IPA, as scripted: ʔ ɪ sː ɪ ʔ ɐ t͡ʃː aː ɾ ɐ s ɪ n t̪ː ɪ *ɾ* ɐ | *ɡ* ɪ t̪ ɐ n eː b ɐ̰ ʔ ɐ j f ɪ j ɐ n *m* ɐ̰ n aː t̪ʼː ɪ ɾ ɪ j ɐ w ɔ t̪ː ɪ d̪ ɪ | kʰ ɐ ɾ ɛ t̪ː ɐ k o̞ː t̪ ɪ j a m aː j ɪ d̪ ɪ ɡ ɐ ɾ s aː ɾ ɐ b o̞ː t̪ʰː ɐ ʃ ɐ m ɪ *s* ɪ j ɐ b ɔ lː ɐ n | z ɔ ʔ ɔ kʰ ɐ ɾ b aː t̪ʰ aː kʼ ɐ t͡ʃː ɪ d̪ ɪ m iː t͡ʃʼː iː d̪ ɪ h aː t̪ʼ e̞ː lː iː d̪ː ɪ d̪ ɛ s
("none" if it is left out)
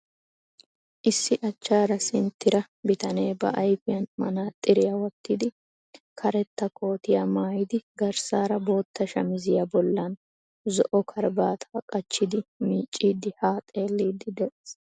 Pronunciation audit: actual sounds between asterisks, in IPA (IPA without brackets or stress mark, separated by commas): ɾ, b, m, z